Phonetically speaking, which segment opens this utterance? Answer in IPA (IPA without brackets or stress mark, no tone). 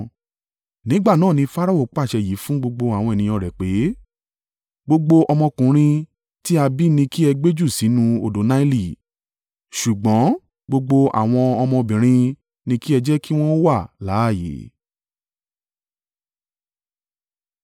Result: n